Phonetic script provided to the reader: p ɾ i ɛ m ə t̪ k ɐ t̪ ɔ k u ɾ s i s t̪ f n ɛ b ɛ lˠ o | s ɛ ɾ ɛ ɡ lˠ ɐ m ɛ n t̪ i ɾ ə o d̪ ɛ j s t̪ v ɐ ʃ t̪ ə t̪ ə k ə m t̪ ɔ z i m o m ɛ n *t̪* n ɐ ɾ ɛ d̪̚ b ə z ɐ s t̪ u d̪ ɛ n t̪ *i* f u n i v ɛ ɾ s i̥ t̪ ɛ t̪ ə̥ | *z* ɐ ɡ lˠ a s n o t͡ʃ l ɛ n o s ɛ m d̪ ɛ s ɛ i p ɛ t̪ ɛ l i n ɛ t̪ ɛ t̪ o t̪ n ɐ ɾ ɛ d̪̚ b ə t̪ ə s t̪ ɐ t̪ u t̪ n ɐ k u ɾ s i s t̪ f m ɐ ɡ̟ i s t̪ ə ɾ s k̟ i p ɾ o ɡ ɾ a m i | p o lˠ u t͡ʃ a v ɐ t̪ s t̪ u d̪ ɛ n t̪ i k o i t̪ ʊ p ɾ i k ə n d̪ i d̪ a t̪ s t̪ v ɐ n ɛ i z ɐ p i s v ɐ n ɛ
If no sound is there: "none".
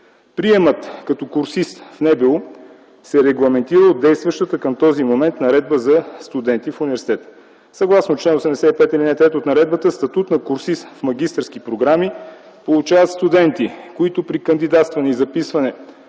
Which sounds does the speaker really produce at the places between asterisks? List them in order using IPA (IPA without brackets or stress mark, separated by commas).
t̪, i, s